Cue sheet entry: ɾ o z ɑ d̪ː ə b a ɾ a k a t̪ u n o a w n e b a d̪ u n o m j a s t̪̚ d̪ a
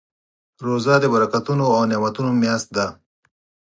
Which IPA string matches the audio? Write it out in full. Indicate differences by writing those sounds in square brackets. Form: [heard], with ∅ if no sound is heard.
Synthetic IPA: ɾ o z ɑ [d̪] ə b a ɾ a k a t̪ u n o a w n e [m] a [t̪] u n o m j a s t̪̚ d̪ a